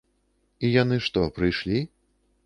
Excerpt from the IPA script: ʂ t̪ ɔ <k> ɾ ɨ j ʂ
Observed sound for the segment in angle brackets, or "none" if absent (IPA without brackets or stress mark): p